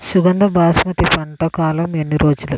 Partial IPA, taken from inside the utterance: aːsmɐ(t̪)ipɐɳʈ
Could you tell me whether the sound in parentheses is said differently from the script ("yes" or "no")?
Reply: no